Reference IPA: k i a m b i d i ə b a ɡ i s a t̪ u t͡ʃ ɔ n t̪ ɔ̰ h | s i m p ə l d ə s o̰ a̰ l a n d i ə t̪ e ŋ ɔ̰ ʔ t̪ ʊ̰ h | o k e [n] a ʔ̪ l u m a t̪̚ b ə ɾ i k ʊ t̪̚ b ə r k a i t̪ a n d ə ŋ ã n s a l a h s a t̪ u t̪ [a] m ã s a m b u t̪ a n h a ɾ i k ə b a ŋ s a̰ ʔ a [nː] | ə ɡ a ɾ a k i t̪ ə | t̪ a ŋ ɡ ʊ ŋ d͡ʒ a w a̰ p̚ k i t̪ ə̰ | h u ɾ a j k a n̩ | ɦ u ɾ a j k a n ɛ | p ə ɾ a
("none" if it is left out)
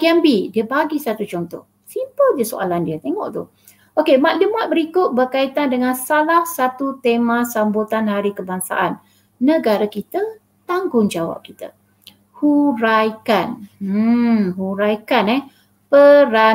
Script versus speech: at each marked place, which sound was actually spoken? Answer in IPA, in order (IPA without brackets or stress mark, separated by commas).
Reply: m, e, nː